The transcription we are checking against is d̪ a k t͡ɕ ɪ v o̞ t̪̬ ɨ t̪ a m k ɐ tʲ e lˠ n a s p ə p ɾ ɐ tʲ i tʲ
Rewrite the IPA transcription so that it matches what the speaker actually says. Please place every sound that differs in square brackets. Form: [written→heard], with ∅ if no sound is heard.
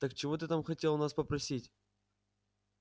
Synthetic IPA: [d̪→t̪] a k t͡ɕ ɪ v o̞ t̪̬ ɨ t̪ a m [k→x] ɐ tʲ e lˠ n a s p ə p ɾ ɐ [tʲ→sʲ] i tʲ